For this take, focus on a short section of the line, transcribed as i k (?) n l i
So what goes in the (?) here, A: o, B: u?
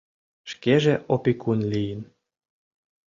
B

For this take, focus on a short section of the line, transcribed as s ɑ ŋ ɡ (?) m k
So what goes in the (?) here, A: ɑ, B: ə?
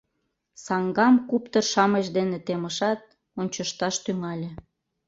A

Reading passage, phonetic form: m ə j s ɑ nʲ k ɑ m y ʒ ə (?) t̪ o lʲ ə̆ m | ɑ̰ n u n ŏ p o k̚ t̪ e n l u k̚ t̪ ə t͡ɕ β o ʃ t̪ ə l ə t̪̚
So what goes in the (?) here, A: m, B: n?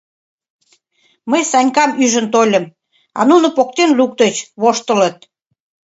B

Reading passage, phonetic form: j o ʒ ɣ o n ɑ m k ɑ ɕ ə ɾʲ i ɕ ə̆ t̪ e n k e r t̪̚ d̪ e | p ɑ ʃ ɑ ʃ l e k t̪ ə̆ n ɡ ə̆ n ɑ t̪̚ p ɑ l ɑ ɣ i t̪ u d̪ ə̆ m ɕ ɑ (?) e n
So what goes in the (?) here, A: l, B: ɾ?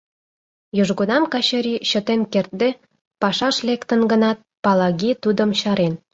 B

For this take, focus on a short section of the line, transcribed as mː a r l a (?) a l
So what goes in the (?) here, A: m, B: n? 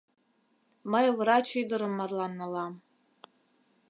B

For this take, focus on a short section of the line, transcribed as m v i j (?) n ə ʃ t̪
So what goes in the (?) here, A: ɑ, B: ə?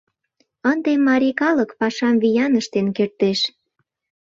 A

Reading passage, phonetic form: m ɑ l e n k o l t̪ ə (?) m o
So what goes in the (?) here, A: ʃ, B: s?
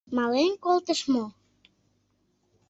A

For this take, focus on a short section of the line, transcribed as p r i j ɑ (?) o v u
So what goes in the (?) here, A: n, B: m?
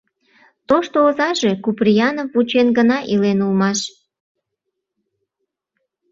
A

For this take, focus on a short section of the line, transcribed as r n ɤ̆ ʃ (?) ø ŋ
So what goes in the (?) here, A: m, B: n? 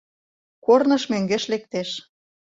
A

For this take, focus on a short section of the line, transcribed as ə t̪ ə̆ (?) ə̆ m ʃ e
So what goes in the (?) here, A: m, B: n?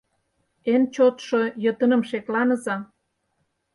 B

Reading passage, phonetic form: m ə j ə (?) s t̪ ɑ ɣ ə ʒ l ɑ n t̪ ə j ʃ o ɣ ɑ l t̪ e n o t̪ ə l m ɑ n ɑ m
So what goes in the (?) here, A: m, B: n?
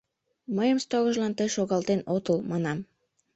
A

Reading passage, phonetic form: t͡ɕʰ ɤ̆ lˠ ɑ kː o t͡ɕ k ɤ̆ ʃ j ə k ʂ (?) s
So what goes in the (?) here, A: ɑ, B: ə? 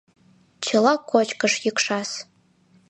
A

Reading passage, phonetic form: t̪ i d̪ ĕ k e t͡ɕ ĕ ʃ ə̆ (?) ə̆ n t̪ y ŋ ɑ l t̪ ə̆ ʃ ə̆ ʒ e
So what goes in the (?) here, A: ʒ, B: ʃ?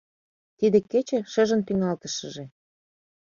A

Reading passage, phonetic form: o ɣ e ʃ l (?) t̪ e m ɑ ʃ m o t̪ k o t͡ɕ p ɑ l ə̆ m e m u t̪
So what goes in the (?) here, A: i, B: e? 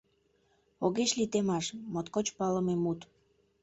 A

